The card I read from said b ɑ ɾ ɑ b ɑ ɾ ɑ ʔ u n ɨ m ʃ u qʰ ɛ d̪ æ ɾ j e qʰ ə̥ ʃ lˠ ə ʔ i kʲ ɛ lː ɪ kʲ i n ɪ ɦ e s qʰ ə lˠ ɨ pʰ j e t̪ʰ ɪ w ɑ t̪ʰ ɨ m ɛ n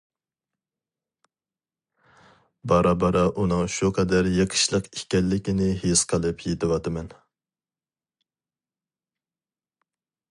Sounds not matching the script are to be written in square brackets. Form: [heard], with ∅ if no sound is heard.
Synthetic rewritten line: b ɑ ɾ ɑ b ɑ ɾ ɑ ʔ u n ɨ [ŋ] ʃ u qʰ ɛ d̪ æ ɾ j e qʰ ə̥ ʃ lˠ ə [q] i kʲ ɛ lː ɪ kʲ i n ɪ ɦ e s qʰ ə lˠ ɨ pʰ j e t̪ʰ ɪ w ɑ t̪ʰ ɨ m ɛ n